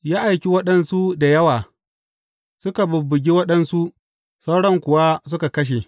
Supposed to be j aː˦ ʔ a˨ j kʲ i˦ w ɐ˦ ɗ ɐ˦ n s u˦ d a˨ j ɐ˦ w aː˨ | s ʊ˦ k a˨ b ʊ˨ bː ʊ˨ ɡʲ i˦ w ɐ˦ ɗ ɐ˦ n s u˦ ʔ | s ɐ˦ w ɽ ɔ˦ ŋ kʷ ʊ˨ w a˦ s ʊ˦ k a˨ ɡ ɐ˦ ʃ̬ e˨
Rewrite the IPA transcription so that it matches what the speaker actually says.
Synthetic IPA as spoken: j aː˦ ʔ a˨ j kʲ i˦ w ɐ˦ ɗ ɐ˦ n s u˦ d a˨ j ɐ˦ w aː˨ | s ʊ˦ k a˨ b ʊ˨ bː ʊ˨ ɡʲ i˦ w ɐ˦ ɗ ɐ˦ n s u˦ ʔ | s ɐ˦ w ɽ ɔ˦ ŋ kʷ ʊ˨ w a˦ s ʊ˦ k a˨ k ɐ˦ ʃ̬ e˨